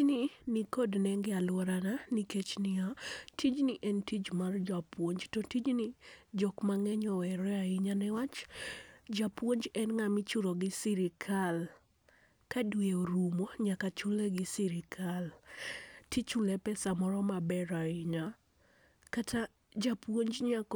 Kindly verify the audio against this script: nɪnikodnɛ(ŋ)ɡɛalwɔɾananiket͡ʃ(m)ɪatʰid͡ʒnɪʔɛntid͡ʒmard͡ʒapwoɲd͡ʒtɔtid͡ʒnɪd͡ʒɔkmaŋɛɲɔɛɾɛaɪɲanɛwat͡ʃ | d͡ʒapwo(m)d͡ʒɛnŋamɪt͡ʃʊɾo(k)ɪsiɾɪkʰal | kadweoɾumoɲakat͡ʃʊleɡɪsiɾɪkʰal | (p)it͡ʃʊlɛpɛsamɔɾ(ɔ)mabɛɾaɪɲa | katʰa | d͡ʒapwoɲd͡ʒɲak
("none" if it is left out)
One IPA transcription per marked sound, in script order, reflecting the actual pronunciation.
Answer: ŋ, n, ɲ, ɡ, t, ɔ

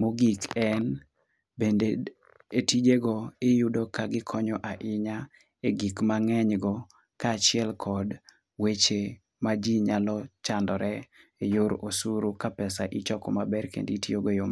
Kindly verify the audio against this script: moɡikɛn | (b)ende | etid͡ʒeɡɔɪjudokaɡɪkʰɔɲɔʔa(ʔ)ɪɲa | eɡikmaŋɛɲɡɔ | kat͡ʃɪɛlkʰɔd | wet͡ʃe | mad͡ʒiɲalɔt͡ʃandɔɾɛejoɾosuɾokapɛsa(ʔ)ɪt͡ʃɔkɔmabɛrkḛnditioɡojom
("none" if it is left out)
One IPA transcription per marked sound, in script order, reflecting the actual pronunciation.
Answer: b, ʔ, ʔ

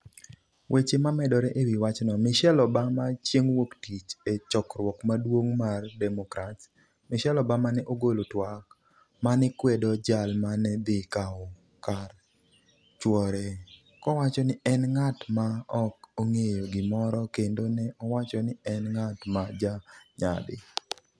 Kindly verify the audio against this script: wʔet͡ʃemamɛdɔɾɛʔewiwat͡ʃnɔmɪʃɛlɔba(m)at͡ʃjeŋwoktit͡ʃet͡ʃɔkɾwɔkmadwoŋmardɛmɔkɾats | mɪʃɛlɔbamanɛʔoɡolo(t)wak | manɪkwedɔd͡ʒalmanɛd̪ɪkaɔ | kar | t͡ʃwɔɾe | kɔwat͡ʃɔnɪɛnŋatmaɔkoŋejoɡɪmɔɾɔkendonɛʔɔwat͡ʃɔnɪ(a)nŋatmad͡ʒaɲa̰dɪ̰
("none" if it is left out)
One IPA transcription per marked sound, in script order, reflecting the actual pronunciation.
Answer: m, t, ɛ

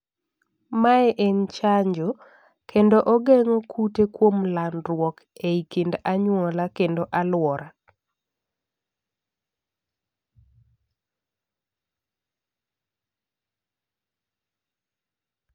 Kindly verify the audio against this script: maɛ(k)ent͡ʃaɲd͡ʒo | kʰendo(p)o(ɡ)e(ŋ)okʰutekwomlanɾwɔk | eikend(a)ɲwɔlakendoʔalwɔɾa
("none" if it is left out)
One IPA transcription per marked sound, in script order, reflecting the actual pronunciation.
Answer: ʔ, ʔ, ɡ, ŋ, a

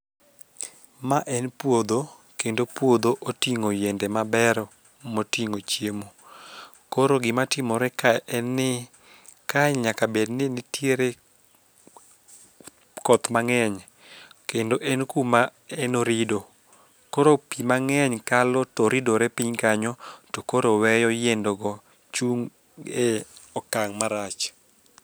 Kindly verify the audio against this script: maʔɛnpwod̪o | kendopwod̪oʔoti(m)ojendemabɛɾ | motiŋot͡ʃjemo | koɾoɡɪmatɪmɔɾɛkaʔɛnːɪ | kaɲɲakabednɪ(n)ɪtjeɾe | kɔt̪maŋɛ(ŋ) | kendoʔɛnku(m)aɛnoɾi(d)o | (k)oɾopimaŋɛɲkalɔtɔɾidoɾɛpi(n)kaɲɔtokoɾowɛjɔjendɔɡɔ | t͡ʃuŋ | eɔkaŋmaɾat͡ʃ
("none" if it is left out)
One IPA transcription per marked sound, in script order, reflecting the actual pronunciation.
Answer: ŋ, n, ɲ, m, d, k, ɲ

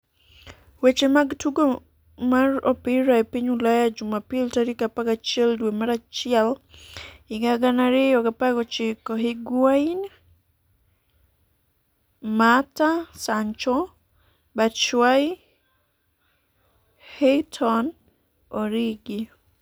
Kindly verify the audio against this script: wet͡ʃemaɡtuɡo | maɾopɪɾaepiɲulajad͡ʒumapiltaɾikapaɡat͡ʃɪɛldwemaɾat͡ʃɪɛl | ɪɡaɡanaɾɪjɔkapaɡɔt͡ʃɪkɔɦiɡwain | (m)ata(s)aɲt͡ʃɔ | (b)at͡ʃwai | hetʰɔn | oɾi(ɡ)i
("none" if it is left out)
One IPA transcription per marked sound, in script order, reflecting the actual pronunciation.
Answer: m, s, b, ɡ

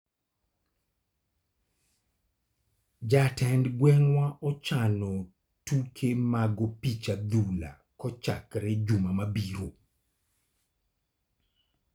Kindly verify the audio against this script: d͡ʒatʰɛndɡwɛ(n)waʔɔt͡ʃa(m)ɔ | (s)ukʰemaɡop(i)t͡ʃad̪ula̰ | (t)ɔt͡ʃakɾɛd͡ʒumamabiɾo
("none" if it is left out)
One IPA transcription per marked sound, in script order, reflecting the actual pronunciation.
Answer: ŋ, n, t, i, k

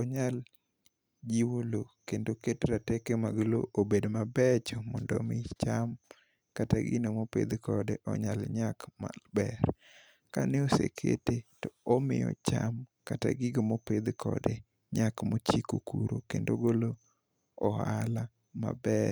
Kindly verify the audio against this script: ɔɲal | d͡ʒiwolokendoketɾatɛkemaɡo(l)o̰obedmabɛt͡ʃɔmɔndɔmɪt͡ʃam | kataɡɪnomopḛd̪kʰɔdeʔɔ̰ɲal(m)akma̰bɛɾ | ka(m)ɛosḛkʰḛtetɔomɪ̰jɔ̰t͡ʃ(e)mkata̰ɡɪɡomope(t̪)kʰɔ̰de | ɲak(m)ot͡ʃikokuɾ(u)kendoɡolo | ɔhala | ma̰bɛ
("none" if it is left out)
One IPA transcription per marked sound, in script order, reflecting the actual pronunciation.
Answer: l, ɲ, n, a, d̪, m, o

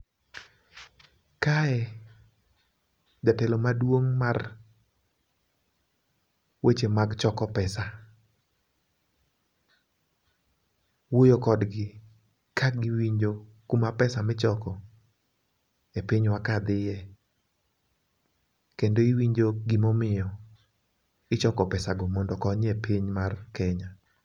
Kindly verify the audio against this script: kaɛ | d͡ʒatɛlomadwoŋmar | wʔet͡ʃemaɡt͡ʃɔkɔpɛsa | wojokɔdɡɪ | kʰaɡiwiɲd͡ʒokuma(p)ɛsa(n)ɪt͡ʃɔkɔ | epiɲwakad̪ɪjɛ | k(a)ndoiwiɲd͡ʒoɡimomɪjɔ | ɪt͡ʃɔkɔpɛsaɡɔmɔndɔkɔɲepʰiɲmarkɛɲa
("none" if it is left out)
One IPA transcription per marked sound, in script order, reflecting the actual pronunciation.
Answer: p, m, e

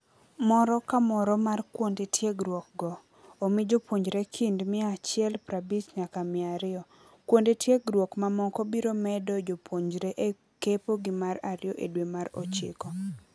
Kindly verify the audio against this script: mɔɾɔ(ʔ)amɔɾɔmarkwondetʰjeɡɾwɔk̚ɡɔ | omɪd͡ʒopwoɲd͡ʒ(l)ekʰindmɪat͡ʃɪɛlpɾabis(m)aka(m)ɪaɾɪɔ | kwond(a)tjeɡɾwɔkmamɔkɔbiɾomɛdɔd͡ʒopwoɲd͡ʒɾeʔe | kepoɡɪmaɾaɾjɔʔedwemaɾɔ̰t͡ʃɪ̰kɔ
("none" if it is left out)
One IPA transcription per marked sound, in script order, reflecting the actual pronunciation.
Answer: k, ɾ, ɲ, m, e

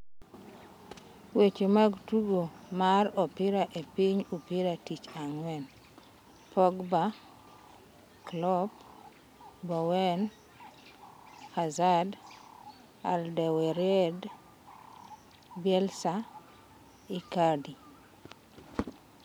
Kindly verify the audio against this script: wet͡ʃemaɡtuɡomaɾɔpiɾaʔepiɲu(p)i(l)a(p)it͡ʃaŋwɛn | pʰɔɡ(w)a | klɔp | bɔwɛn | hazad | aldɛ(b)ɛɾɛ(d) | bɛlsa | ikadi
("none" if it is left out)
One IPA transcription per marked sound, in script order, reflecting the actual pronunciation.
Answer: p, ɾ, t, b, w, d

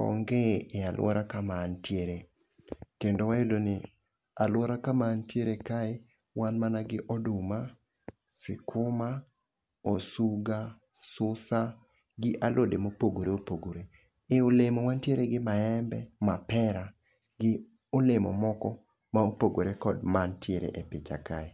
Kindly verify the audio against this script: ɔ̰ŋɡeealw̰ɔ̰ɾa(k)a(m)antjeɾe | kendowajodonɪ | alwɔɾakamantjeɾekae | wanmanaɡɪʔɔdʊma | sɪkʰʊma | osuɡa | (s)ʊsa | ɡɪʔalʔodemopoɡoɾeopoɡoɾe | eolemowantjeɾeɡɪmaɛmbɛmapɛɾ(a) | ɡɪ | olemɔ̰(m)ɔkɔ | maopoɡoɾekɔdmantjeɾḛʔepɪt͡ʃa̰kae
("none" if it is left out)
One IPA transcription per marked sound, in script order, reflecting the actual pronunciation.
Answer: k, m, s, a, m

